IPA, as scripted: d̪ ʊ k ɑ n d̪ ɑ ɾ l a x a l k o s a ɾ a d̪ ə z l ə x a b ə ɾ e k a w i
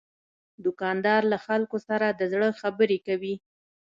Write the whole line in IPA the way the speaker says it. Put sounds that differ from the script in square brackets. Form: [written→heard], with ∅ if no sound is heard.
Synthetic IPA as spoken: d̪ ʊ k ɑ n d̪ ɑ ɾ l a x a l k o s a ɾ a d̪ ə z [l→ɽ] ə x a b ə ɾ e k a w i